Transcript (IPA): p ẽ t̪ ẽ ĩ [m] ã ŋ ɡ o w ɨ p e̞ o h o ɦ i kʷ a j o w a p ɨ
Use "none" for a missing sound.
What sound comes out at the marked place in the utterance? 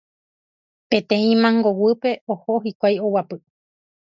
m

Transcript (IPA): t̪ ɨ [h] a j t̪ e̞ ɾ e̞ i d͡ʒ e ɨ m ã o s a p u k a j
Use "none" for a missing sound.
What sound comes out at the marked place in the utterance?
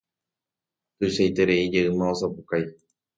ʃ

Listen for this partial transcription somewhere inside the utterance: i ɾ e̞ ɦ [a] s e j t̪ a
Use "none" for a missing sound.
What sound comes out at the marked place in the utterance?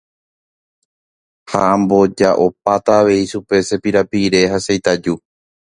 a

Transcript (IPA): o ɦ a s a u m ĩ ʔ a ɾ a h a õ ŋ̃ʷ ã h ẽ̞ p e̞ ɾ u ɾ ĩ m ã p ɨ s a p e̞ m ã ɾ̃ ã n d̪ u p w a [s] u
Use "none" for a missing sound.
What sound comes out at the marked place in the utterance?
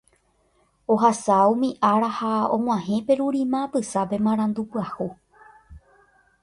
h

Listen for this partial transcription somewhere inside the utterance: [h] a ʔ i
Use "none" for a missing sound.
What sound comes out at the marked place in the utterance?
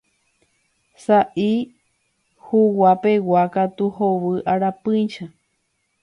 s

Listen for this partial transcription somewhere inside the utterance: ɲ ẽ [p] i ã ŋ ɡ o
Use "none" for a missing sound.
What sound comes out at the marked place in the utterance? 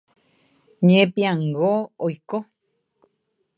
p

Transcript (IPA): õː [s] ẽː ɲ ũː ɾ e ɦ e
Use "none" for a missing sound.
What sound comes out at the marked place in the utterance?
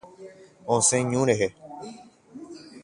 s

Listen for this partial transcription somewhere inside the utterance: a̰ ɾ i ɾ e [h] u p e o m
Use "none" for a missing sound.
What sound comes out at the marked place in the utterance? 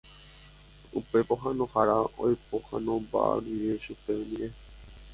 ʃ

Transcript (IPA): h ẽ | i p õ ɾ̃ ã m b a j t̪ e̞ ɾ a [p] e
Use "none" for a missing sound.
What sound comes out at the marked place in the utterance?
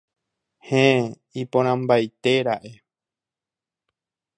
ʔ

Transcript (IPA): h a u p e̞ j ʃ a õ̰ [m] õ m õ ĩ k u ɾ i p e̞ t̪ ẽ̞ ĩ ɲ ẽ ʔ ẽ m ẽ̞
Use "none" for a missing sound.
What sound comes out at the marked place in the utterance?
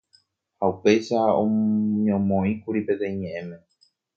ɲ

